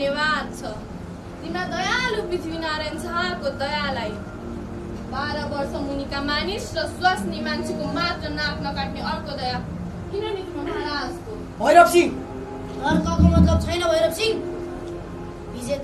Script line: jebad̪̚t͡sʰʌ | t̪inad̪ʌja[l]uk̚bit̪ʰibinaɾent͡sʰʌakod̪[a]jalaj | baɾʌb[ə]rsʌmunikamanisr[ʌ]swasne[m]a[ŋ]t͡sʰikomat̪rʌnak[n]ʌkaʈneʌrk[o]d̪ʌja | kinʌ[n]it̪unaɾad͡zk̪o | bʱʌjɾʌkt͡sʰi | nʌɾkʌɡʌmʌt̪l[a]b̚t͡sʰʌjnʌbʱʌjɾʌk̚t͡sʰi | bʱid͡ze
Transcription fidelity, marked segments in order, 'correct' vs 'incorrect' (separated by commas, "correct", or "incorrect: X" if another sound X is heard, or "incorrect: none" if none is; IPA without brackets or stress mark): correct, incorrect: ʌ, incorrect: ʌ, correct, correct, incorrect: n, correct, correct, correct, incorrect: ʌ